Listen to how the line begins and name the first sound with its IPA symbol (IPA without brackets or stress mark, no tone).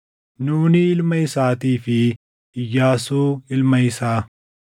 n